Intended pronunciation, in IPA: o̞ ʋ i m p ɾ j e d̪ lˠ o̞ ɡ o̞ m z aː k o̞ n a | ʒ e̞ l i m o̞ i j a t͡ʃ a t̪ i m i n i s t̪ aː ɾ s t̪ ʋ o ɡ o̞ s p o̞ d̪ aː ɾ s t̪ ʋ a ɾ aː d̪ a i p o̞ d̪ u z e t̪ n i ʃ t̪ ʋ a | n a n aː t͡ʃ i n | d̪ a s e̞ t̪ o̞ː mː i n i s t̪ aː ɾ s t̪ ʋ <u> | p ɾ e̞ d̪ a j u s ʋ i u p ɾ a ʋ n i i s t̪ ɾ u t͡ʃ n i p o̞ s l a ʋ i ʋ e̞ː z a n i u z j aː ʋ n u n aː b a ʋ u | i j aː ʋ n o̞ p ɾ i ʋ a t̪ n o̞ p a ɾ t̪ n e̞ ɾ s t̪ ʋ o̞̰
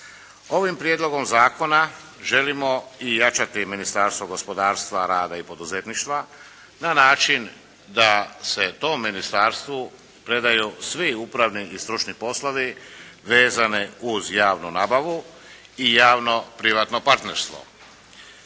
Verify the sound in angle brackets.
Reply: correct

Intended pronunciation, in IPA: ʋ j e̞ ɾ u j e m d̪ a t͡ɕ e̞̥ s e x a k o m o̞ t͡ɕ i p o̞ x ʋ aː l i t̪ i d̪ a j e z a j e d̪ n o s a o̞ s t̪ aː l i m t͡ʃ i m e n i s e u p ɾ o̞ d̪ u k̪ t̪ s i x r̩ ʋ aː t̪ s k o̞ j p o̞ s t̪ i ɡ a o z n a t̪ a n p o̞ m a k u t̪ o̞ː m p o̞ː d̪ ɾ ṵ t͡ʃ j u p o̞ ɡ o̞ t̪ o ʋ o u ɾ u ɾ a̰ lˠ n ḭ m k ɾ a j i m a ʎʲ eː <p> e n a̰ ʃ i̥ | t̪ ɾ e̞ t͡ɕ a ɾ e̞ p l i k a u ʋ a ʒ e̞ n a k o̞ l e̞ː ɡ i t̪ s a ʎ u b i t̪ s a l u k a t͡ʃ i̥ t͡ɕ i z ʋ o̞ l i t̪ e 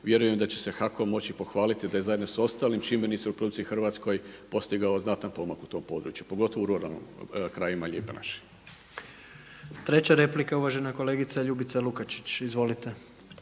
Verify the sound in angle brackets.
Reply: correct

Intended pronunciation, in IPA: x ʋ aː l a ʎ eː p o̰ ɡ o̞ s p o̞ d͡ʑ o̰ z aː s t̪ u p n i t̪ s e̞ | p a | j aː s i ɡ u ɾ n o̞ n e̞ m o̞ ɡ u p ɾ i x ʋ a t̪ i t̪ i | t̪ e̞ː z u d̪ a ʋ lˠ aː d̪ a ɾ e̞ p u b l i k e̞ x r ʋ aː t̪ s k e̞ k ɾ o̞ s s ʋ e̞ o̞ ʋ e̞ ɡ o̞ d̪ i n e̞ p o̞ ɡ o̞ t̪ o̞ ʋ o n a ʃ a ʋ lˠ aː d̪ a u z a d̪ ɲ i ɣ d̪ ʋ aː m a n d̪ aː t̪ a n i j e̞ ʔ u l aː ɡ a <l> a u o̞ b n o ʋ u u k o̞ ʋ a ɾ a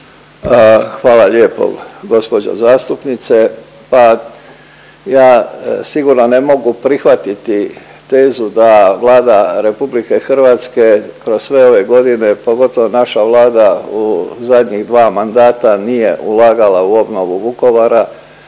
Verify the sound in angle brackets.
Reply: correct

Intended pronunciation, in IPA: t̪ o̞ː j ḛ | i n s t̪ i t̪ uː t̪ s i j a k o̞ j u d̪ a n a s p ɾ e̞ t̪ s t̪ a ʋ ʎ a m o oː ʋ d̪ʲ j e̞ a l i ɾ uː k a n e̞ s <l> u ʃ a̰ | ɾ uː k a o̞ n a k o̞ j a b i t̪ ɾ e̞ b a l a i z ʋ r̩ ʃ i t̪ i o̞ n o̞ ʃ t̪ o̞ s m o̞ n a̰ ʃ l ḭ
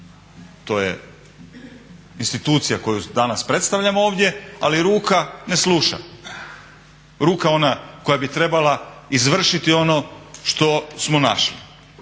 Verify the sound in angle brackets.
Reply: correct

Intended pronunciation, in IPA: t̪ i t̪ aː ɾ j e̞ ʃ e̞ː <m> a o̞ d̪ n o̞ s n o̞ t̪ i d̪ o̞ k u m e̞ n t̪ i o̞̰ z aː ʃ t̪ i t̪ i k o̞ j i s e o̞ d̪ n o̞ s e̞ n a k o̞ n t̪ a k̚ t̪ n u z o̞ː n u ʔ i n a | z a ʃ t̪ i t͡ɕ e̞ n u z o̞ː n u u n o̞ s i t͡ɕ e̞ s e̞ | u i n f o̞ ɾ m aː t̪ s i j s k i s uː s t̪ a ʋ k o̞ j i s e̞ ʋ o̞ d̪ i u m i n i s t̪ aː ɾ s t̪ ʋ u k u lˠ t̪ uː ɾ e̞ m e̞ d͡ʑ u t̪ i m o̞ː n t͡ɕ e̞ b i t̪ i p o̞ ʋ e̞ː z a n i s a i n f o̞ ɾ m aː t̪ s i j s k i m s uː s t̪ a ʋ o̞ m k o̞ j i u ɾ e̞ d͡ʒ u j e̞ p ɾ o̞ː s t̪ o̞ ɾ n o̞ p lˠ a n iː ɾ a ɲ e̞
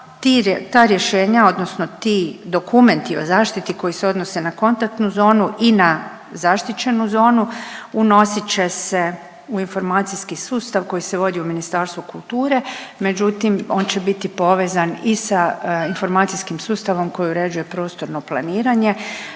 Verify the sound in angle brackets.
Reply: incorrect: ɲ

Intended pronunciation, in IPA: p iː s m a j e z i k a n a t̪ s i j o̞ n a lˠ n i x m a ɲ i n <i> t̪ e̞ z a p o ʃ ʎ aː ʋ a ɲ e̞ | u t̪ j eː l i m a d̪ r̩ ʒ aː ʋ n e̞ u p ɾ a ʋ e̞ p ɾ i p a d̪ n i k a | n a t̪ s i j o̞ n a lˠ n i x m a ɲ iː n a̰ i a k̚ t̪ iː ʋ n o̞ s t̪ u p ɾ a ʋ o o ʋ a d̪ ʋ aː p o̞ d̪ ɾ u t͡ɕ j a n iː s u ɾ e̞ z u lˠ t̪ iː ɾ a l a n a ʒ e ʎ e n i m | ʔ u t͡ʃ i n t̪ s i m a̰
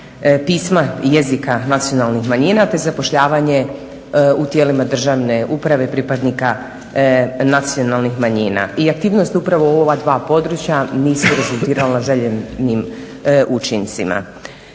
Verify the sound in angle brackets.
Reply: incorrect: a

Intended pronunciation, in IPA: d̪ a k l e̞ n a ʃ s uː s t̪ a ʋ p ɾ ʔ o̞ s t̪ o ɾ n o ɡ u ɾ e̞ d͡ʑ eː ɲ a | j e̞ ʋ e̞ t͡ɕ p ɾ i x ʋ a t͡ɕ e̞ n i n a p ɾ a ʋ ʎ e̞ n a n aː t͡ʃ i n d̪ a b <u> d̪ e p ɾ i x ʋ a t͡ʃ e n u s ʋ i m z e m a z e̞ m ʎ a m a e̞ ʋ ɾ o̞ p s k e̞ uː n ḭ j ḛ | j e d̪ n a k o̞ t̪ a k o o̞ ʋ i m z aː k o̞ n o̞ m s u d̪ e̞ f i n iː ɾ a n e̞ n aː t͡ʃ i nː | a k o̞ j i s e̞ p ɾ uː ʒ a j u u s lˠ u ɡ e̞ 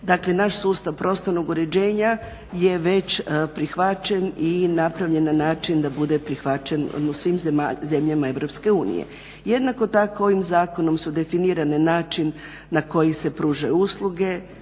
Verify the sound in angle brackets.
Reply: correct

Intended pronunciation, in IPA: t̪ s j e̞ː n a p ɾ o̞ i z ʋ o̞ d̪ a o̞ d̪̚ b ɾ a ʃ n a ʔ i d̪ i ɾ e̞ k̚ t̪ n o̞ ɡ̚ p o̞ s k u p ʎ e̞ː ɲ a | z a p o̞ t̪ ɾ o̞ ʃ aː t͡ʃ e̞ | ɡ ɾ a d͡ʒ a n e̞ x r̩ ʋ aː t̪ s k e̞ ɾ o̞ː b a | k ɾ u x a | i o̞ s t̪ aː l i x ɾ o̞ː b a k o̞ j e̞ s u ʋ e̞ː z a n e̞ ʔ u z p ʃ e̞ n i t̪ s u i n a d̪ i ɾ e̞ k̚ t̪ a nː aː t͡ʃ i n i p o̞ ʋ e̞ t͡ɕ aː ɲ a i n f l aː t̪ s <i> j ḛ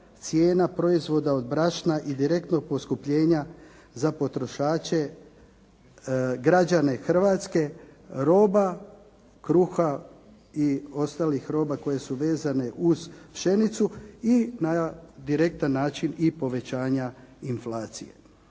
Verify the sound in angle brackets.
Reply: correct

